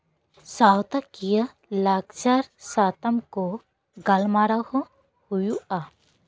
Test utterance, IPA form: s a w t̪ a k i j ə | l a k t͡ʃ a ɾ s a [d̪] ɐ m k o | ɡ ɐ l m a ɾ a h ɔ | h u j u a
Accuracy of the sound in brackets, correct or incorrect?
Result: incorrect